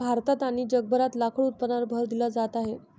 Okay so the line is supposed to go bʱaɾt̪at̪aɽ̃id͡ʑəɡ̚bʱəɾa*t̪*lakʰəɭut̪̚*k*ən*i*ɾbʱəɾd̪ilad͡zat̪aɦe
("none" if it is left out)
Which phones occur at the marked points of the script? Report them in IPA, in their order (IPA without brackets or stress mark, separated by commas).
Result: t̪, p, a